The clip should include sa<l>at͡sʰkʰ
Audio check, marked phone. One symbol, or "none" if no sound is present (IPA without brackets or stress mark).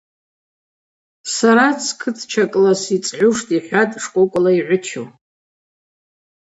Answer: ɾ